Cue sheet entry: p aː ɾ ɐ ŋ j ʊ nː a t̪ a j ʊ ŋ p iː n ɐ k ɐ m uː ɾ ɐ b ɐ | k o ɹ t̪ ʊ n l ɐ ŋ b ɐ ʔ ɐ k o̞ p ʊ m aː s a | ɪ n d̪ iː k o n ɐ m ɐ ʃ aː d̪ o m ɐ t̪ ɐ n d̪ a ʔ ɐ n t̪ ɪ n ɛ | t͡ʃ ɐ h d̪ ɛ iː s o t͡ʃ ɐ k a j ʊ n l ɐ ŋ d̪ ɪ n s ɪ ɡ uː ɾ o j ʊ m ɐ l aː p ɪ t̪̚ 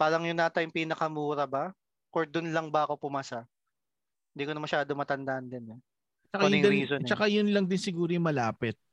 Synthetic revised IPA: p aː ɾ ɐ ŋ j ʊ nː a t̪ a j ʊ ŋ p iː n ɐ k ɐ m uː ɾ ɐ b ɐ | k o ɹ d̪ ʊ n l ɐ ŋ b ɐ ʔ ɐ k o̞ p ʊ m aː s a | ɪ n d̪ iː k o n ɐ m ɐ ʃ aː d̪ o m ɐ t̪ ɐ n d̪ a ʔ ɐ n d̪ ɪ n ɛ | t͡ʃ ɐ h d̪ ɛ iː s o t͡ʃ ɐ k a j ʊ n l ɐ ŋ d̪ ɪ n s ɪ ɡ uː ɾ o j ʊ m ɐ l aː p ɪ t̪̚